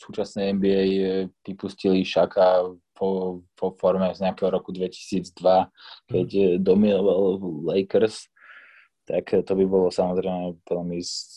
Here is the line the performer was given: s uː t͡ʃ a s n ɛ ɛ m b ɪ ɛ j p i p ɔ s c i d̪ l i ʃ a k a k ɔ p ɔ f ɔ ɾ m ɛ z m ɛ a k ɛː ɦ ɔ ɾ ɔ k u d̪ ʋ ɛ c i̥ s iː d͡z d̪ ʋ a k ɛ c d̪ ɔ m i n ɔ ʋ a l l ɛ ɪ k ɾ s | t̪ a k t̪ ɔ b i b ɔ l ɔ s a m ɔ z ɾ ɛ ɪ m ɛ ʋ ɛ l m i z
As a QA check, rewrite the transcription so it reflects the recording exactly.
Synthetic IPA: s uː t͡ʃ a s n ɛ ɛ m b i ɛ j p i p u s c i l i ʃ a k a p ɔ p ɔ f ɔ ɾ m ɛ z ɲ ɛ a k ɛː ɦ ɔ ɾ ɔ k u d̪ ʋ ɛ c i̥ s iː d͡z d̪ ʋ a k ɛ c d̪ ɔ m i n ɔ ʋ a l l ɛ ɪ k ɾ s | t̪ a k t̪ ɔ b i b ɔ l ɔ s a m ɔ z ɾ ɛ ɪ m ɛ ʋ ɛ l m i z